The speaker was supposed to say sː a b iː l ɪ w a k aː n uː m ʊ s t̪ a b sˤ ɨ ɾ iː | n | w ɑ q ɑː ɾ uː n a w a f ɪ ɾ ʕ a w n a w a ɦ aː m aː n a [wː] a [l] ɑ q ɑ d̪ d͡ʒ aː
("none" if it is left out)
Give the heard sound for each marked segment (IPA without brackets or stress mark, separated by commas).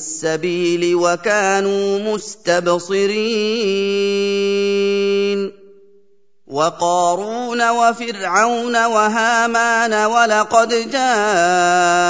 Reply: w, l